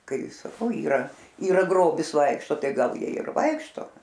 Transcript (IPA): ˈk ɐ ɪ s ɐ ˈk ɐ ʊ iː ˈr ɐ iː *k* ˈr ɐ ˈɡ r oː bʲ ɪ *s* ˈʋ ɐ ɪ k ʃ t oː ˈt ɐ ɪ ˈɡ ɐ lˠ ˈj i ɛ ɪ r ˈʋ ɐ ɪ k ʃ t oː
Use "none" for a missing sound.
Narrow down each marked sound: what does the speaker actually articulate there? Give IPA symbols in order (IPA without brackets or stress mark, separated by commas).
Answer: none, s